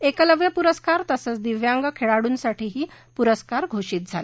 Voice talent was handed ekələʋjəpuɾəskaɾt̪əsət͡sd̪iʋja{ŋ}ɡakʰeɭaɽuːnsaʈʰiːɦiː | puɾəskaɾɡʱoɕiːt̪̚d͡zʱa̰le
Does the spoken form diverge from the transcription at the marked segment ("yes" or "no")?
no